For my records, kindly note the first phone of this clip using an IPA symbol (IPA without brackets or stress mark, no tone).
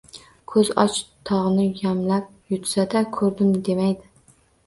kʰ